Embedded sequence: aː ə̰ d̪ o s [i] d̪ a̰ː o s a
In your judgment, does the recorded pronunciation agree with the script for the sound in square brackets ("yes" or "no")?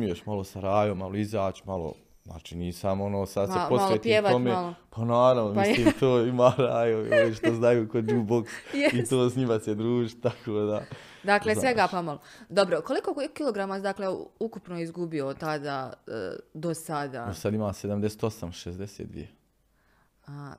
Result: no